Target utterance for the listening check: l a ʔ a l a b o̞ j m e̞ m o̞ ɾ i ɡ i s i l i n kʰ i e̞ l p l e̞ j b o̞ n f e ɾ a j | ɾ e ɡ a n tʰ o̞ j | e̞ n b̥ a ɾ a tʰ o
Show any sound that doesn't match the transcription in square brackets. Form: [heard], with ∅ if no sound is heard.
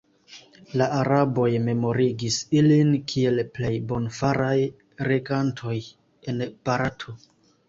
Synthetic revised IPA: l a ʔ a [ɾ] a b o̞ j m e̞ m o̞ ɾ i ɡ i s i l i n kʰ i e̞ l p l e̞ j b o̞ n f [a] ɾ a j | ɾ e ɡ a n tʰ o̞ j | e̞ n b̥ a ɾ a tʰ o